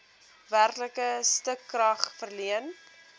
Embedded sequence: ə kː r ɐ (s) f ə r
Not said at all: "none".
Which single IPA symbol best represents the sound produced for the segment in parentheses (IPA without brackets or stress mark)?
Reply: χ